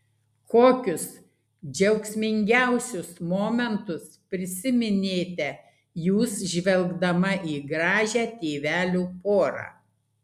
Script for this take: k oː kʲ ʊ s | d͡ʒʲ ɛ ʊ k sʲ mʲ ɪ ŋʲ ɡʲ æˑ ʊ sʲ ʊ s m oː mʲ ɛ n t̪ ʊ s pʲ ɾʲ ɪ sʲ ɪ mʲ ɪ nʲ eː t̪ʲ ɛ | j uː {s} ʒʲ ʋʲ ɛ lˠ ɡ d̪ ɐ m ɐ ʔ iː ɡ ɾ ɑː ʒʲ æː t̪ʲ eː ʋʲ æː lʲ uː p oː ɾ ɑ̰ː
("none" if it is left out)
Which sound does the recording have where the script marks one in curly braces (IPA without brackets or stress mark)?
s